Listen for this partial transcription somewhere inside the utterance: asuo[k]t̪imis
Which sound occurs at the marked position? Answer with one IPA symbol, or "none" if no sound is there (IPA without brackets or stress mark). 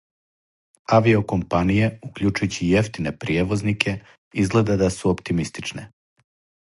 p